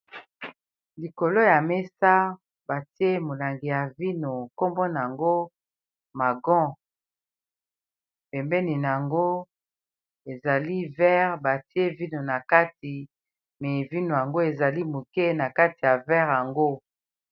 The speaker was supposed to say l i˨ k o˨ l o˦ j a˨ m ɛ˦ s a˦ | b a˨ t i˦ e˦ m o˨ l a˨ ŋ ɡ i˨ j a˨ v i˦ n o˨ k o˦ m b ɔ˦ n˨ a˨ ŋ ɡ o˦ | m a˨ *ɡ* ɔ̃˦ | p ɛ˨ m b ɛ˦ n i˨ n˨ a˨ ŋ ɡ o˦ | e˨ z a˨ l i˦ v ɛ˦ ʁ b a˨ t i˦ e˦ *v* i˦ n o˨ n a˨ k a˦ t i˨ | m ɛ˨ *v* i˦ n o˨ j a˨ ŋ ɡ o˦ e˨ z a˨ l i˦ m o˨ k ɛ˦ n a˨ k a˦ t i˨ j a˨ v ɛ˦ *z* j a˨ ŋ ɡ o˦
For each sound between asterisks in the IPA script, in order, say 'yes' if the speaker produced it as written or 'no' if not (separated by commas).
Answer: yes, yes, yes, no